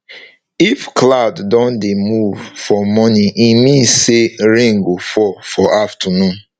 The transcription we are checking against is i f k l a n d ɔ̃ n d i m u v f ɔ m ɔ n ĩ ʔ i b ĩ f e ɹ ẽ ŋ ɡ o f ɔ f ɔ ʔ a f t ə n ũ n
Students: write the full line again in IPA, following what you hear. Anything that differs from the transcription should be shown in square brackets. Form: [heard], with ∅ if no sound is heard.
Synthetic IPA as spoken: i f k l a [d] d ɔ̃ n d [e] m u v f ɔ m ɔ n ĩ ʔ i [m] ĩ [s] e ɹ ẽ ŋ ɡ o f ɔ f ɔ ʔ a f t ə n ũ n